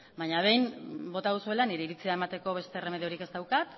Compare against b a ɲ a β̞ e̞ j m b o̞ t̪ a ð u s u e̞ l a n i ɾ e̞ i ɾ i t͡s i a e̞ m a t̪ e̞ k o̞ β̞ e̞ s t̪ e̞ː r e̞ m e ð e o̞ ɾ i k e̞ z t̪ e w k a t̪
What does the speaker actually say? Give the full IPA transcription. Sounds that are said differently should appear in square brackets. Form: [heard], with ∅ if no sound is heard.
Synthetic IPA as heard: b a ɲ a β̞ e̞ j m b o̞ t̪ a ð u s u e̞ l a n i ɾ e̞ i ɾ i t͡s i a e̞ m a t̪ e̞ k o̞ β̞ e̞ s t̪ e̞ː r e̞ m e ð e o̞ ɾ i k e̞ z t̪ [a] w k a t̪